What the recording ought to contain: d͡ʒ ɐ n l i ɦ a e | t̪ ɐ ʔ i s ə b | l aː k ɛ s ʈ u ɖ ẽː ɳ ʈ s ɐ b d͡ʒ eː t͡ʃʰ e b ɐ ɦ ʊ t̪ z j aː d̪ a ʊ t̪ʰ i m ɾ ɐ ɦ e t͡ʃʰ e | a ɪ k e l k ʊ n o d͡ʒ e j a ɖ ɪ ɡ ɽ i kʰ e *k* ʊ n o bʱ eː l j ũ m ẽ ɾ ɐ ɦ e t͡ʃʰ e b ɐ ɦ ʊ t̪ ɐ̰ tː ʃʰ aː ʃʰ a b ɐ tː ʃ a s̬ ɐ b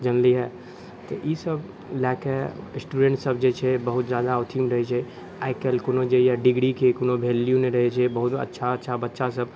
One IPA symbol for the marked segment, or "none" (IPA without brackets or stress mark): k